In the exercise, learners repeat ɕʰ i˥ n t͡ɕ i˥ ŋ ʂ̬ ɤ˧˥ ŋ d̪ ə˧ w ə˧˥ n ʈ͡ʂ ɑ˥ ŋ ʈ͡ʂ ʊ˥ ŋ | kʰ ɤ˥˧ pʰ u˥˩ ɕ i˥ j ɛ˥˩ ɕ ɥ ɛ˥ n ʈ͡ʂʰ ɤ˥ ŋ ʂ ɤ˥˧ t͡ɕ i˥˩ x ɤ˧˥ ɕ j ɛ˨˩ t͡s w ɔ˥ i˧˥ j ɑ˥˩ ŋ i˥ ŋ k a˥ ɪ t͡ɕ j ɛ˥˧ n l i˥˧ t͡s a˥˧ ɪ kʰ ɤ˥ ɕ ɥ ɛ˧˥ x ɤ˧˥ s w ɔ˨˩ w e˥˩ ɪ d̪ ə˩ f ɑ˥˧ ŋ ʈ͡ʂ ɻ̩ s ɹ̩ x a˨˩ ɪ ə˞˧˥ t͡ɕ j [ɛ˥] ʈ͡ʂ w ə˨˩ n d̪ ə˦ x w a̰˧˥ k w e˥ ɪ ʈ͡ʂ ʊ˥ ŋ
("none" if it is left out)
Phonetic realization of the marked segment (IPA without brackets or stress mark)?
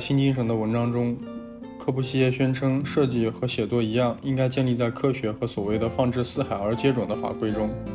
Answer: ɛ˥